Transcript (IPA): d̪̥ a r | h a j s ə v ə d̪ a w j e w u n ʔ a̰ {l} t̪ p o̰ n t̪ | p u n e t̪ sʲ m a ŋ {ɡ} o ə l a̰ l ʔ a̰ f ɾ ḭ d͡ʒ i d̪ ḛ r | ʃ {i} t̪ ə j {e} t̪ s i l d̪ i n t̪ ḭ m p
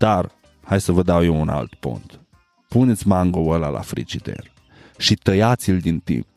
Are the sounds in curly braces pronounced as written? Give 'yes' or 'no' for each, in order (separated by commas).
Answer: yes, yes, yes, no